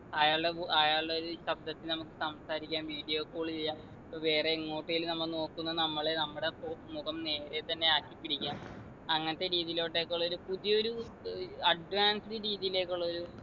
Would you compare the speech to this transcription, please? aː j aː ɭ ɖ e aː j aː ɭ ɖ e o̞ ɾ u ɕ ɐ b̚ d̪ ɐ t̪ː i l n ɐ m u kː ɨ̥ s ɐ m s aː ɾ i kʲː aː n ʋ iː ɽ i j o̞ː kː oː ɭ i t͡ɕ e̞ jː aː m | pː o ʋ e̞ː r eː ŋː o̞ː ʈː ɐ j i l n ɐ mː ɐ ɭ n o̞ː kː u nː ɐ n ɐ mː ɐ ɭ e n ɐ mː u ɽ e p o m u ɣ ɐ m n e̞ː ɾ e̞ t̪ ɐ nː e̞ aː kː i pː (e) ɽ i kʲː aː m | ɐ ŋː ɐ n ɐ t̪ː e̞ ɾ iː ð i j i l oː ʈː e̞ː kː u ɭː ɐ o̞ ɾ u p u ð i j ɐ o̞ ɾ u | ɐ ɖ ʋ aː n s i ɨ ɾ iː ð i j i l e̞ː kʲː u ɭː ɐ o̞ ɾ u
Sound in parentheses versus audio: incorrect: i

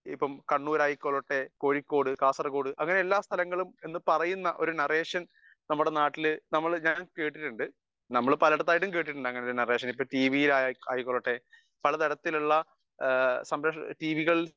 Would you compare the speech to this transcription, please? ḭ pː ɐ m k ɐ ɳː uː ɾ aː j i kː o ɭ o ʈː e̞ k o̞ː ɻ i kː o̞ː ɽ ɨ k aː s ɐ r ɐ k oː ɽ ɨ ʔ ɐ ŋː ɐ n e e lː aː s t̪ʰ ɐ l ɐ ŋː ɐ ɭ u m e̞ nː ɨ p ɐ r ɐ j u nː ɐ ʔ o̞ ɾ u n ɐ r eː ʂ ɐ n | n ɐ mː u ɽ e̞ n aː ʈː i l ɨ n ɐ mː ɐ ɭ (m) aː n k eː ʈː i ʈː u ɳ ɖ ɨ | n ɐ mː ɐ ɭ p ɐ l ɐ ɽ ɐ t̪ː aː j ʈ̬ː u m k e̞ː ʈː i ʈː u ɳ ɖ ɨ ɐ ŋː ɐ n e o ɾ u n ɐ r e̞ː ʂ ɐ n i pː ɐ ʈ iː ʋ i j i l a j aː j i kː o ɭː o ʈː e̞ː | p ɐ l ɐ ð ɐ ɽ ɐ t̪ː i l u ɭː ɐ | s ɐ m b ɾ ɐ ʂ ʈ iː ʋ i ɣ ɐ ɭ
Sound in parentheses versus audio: incorrect: ɲ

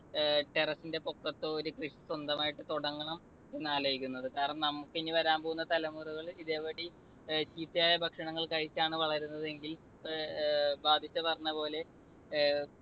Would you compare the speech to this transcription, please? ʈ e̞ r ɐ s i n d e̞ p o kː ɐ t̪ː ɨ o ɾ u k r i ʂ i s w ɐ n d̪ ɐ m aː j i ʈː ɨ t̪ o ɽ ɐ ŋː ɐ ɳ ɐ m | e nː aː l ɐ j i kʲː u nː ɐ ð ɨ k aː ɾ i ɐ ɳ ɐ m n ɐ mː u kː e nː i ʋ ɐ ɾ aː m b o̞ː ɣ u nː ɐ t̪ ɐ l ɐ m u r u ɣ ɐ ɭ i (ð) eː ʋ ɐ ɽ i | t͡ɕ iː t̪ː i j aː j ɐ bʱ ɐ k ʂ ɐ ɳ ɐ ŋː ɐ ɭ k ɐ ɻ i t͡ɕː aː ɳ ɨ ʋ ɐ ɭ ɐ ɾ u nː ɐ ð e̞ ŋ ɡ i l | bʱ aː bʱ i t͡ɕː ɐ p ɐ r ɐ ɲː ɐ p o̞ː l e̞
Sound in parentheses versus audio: correct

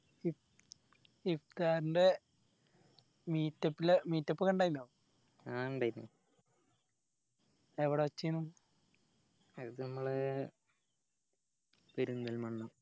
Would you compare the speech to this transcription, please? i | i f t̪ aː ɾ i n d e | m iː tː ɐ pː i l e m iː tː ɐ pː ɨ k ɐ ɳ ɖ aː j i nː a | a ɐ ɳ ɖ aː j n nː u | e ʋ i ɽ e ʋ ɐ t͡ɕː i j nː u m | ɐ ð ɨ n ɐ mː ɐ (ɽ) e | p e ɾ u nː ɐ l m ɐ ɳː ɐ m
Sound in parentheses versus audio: incorrect: ɭ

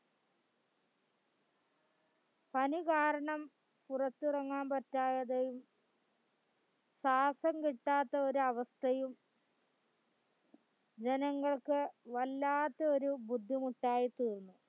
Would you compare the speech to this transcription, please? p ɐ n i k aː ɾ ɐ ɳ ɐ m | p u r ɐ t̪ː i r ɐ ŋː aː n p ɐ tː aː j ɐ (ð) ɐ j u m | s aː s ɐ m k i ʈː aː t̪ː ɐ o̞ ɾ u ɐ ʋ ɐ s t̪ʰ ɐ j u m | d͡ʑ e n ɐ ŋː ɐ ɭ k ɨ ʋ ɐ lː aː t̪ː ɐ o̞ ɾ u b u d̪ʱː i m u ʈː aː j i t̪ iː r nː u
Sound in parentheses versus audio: correct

